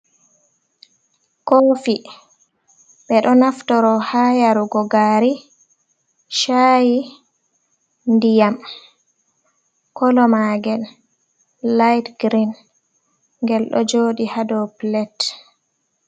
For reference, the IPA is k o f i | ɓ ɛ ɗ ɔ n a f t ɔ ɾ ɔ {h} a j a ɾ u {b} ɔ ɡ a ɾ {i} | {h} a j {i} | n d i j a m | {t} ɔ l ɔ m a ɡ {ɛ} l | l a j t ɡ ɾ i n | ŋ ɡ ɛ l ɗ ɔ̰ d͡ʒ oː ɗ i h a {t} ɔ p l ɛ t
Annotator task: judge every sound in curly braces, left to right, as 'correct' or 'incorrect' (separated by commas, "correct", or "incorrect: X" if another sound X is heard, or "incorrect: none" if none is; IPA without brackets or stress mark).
correct, incorrect: ɡ, correct, incorrect: ʃ, correct, incorrect: k, correct, incorrect: d